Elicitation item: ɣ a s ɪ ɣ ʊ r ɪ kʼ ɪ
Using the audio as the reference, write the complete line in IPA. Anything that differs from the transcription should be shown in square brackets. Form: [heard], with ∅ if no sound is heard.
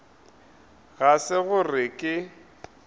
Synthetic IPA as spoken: ɣ a s ɪ ɣ ʊ r ɪ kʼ ɪ